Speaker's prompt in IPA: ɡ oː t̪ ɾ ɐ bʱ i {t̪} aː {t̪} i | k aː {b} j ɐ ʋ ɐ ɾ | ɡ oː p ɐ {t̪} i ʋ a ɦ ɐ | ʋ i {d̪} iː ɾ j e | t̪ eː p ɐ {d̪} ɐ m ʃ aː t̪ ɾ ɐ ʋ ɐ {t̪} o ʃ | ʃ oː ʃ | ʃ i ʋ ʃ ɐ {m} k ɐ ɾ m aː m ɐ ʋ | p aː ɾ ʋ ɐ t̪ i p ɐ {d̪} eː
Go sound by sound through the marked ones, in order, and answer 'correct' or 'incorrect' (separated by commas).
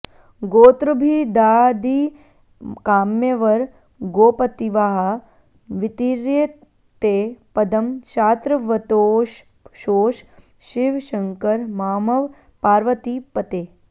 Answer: incorrect, incorrect, incorrect, correct, incorrect, correct, correct, incorrect, incorrect